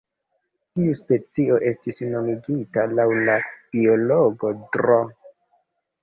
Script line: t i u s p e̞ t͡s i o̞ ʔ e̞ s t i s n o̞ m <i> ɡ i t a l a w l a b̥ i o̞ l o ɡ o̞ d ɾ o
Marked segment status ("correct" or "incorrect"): correct